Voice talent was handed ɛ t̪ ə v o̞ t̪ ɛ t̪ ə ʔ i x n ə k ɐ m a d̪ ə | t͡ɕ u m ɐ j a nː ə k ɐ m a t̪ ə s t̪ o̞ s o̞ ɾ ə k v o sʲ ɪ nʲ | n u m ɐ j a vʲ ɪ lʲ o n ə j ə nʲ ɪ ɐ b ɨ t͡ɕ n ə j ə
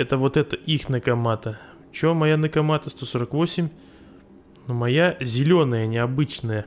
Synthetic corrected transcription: ɛ t̪ ə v o̞ t̪ ɛ t̪ ə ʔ i x n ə k ɐ m a t̪ ə | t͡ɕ o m ɐ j a n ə k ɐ m a t̪ ə s t̪ o̞ s o̞ ɾ ə k v o sʲ ɪ mʲ | n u m ɐ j a zʲ ɪ lʲ o n ə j ə nʲ ɪ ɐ b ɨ t͡ɕ n ə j ə